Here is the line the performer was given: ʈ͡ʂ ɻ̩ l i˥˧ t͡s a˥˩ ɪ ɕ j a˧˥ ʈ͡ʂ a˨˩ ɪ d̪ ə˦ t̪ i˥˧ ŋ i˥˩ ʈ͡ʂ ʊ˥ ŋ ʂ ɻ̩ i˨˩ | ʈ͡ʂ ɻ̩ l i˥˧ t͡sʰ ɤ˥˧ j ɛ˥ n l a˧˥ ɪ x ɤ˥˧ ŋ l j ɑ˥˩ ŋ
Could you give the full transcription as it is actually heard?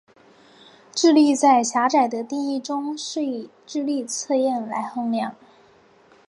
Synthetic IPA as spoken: ʈ͡ʂ ɻ̩ l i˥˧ t͡s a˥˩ ɪ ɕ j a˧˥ ʈ͡ʂ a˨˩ ɪ d̪ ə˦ t̪ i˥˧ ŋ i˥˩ ʈ͡ʂ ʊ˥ ŋ ʂ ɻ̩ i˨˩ | ʈ͡ʂ ɻ̩ l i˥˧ t͡sʰ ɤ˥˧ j ɛ˥˩ n l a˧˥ ɪ x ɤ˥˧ ŋ l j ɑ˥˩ ŋ

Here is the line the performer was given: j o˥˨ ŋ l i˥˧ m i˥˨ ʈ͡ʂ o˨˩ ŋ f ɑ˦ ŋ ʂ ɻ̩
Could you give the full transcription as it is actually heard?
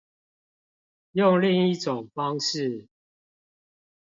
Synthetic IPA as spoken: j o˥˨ ŋ l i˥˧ ŋ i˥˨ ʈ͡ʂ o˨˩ ŋ f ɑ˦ ŋ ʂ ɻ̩

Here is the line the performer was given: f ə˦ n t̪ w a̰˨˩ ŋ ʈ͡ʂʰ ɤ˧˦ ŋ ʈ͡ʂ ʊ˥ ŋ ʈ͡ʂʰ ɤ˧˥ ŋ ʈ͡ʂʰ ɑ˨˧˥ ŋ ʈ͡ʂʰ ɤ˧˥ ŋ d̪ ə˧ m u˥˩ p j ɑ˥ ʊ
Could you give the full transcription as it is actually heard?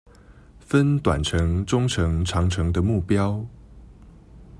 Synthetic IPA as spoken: f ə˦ n t̪ w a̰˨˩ n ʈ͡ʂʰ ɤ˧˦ ŋ ʈ͡ʂ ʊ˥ ŋ ʈ͡ʂʰ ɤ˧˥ ŋ ʈ͡ʂʰ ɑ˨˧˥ ŋ ʈ͡ʂʰ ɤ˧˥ ŋ d̪ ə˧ m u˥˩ p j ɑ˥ ʊ

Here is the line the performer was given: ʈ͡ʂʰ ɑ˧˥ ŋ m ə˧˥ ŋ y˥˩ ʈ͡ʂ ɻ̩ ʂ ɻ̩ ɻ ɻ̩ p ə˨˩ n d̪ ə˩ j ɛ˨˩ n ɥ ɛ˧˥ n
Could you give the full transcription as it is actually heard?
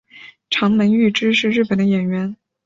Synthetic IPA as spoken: ʈ͡ʂʰ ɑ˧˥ ŋ m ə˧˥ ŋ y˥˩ ʈ͡ʂ ɻ̩ ʂ ɻ̩ ɻ ɻ̩ p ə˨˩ n d̪ ə˦ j ɛ˨˩ n ɥ ɛ˧˥ n

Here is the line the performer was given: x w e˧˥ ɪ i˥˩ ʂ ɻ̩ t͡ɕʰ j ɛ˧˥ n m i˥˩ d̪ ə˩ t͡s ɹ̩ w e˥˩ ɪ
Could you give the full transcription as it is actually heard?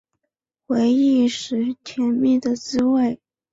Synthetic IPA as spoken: x w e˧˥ ɪ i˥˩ ʂ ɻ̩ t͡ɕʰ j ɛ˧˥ n m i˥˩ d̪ ə˩ t͡s ɹ̩ w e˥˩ ɪ

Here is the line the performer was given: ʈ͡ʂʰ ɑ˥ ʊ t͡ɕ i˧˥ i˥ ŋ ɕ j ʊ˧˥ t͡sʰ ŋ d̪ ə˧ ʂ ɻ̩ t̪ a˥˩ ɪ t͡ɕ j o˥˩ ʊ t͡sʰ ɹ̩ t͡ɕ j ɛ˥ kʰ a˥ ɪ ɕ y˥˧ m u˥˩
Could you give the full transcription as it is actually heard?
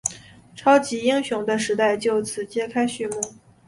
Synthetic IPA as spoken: ʈ͡ʂʰ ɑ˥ ʊ t͡ɕ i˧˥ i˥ ŋ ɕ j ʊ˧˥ ŋ d̪ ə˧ ʂ ɻ̩ t̪ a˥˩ ɪ t͡ɕ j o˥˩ ʊ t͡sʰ ɹ̩ t͡ɕ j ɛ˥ kʰ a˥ ɪ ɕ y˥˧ m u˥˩

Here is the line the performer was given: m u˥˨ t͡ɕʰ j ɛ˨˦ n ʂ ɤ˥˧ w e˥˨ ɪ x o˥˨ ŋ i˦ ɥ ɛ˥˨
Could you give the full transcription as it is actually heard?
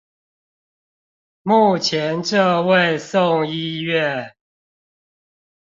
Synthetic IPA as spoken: m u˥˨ t͡ɕʰ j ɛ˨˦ n ʈ͡ʂ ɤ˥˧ w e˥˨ ɪ s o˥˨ ŋ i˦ ɥ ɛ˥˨

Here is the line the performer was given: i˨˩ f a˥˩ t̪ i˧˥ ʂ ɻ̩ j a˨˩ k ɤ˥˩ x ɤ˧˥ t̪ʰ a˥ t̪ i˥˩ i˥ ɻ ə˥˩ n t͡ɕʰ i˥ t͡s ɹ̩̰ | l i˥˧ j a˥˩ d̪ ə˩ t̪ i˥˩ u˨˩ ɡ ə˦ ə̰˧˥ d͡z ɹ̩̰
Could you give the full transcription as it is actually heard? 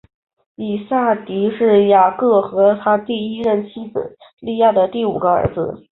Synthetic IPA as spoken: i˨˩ s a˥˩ t̪ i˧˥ ʂ ɻ̩ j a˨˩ k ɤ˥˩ x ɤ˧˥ t̪ʰ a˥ t̪ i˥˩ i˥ ɻ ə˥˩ n t͡ɕʰ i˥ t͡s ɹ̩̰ | l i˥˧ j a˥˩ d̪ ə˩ t̪ i˥˩ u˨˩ ɡ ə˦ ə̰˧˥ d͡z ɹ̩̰

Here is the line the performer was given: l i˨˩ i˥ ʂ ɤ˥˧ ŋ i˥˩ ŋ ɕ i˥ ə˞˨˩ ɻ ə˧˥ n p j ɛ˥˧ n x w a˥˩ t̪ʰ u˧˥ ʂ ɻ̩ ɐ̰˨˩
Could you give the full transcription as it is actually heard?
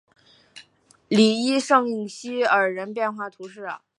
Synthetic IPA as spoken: l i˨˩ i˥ ʂ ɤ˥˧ ŋ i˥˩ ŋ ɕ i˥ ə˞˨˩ ɻ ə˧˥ n p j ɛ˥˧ n x w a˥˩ t̪ʰ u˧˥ ʂ ɻ̩ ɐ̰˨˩

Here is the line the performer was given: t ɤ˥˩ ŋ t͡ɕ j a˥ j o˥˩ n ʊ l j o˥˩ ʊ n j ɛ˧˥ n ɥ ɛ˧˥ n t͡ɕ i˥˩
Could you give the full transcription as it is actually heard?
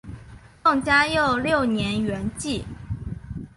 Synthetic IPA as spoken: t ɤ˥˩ ŋ t͡ɕ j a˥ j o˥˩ ʊ l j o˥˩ ʊ n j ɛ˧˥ n ɥ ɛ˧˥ n t͡ɕ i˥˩

